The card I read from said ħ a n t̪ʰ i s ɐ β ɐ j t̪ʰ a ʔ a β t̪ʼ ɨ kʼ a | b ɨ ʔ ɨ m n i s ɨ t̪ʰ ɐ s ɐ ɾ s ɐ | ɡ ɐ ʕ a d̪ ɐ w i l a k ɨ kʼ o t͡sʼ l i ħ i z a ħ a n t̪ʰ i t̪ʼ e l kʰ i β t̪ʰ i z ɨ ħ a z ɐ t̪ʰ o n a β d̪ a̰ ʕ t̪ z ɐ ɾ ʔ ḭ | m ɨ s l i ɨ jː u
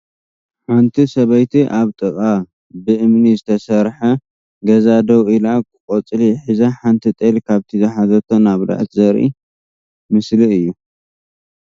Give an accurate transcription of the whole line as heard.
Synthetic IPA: ħ a n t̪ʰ i s ɐ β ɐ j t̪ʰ i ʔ a β t̪ʼ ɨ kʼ a | b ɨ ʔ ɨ m n i z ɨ t̪ʰ ɐ s ɐ ɾ ħ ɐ | ɡ ɐ z a d̪ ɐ w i l a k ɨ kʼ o t͡sʼ l i ħ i z a ħ a n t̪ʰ i t̪ʼ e l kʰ a β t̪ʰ i z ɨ ħ a z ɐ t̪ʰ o n a β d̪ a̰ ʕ t̪ z ɐ ɾ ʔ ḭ | m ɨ s l i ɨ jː u